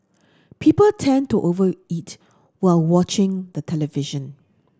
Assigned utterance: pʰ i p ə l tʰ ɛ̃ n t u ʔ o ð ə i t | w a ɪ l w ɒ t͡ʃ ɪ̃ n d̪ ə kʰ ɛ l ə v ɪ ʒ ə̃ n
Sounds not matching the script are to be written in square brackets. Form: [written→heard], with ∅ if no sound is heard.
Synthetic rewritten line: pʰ i p ə l tʰ ɛ̃ n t u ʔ o [ð→v] ə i t | w a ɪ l w [ɒ→ɔ] t͡ʃ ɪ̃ [n→ŋ] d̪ ə [kʰ→tʰ] ɛ l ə v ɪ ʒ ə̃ n

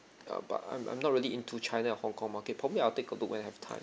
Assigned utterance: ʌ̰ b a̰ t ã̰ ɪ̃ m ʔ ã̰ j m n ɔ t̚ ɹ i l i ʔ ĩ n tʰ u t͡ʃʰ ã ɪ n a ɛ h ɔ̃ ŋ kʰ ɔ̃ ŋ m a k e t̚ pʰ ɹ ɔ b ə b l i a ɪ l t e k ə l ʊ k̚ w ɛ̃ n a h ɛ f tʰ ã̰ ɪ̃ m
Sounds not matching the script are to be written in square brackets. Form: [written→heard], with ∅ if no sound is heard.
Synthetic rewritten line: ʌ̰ b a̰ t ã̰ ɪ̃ m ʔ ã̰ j m n ɔ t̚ ɹ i l i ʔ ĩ n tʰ u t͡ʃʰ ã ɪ n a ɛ h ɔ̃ ŋ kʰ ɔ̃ ŋ m a k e t̚ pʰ ɹ ɔ b ə b l i a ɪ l t e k ə l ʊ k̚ w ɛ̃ n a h ɛ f tʰ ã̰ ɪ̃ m

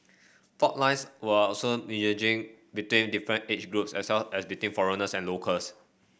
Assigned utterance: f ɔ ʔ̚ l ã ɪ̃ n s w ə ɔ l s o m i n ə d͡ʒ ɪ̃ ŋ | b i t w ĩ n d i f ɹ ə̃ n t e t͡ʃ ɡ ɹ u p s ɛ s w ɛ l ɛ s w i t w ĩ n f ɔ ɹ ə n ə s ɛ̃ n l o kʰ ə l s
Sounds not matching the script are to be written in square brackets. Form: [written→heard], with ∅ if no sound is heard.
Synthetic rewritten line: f ɔ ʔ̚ l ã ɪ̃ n s w ə ɔ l s o m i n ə d͡ʒ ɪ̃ ŋ | b i t w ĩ n d i f ɹ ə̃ n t e t͡ʃ ɡ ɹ u p s ɛ s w ɛ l ɛ s [w→b] i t w ĩ n f ɔ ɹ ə n ə s ɛ̃ n l o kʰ ə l s

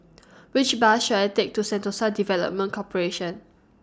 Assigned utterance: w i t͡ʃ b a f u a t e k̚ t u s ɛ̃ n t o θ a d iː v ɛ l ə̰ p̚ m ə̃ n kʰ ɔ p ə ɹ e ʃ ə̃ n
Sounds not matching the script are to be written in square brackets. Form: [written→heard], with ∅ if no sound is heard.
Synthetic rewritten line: w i t͡ʃ b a [f→ʃ] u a t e k̚ t u s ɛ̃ n t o [θ→s] a d [iː→i] v ɛ l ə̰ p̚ m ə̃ n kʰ ɔ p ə ɹ e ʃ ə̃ n

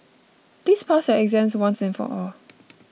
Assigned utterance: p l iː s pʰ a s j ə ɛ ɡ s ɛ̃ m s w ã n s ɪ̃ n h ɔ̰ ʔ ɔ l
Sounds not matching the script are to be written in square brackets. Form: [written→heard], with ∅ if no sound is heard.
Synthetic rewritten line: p l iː s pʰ a s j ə ɛ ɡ [s→z] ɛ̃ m s w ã n s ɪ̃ n [h→f] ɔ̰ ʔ ɔ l

